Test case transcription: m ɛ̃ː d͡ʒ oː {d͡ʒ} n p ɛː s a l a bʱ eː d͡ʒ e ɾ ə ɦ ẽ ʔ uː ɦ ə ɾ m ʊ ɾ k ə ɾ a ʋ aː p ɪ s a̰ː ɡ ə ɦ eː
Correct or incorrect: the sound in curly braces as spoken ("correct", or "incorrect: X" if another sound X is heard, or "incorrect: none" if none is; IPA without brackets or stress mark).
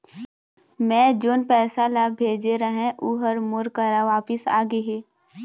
incorrect: none